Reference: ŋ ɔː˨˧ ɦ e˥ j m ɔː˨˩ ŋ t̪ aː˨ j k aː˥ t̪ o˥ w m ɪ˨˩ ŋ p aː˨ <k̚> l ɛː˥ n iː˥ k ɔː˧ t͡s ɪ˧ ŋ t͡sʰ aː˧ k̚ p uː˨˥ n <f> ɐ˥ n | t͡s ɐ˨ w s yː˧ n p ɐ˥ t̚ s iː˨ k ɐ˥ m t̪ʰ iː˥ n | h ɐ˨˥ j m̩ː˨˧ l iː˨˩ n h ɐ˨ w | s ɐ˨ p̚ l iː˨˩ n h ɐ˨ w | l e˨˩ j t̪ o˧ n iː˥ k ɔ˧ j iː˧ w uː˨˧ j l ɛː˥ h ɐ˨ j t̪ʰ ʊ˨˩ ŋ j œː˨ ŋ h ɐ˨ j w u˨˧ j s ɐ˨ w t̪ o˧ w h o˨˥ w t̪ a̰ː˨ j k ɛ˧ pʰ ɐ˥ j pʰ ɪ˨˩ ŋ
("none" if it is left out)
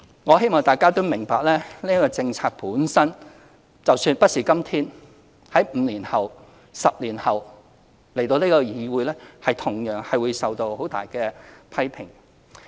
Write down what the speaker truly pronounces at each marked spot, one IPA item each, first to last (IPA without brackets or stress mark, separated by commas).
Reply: k̚, s